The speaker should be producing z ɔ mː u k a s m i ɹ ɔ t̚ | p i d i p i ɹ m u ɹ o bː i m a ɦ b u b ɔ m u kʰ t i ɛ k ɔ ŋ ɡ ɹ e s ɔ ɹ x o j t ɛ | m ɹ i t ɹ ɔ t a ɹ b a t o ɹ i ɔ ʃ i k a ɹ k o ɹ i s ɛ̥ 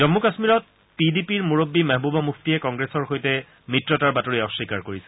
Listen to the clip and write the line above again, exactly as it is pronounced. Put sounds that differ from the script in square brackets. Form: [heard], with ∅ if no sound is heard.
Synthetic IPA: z ɔ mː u k a s m i ɹ ɔ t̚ | p i d i p i ɹ m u ɹ o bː i m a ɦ b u b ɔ m u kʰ t i ɛ k ɔ ŋ ɡ ɹ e s ɔ ɹ x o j t ɛ | m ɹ i t ɹ ɔ t a ɹ b a t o ɹ i ɔ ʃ i k a ɹ k o ɹ i s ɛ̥